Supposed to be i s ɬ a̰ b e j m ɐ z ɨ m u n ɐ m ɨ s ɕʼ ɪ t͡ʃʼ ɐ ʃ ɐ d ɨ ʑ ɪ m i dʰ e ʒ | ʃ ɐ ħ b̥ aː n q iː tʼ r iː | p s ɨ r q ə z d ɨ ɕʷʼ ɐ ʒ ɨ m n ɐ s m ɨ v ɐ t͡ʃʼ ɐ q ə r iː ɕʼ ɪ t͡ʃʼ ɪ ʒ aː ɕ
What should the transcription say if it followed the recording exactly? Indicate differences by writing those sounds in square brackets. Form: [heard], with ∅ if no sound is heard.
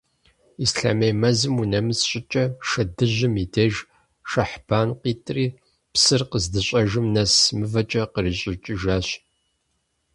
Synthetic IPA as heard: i s ɬ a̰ [m] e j m ɐ z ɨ m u n ɐ m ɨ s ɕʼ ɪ t͡ʃʼ ɐ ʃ ɐ d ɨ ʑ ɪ m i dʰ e ʒ | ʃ ɐ ħ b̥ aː n q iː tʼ r iː | p s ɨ r q ə z d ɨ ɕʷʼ ɐ ʒ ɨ m n ɐ s m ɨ v ɐ t͡ʃʼ ɐ q ə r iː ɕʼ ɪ t͡ʃʼ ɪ ʒ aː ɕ